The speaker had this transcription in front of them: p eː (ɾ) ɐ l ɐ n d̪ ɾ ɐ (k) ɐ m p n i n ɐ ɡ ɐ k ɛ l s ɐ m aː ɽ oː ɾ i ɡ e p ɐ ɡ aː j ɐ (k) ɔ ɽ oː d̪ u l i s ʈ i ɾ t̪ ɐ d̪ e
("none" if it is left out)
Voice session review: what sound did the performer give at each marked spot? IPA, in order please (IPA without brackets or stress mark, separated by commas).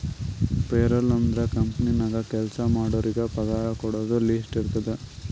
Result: ɾ, k, k